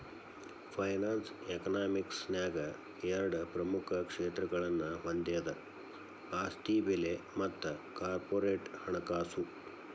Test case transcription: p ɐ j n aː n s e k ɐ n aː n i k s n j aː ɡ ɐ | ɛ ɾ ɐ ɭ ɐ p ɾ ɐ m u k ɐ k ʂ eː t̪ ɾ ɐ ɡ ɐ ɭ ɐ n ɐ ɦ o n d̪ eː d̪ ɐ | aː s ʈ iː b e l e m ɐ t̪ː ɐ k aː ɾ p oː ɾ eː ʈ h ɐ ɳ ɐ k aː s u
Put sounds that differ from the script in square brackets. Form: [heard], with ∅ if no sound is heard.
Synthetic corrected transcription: [pʰ] ɐ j n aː n s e k ɐ n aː [m] i k s n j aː ɡ ɐ | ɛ ɾ ɐ [ɽ] ɐ p ɾ ɐ m u [kʰ] ɐ k ʂ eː t̪ ɾ ɐ ɡ ɐ ɭ ɐ [nː] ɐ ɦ o n d̪ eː d̪ ɐ | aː s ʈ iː b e l e m ɐ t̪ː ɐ k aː ɾ p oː ɾ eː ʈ h ɐ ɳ ɐ k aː s u